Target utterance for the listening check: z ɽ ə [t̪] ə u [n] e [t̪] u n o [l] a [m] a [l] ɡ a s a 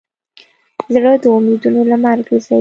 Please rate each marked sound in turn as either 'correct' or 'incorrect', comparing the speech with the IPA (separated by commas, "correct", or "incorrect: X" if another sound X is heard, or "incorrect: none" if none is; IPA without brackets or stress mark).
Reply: incorrect: d̪, incorrect: m, incorrect: d̪, correct, correct, incorrect: ɾ